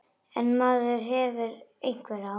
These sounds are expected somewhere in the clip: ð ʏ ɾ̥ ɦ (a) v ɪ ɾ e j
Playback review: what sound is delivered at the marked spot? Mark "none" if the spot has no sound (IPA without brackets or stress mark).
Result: ɛ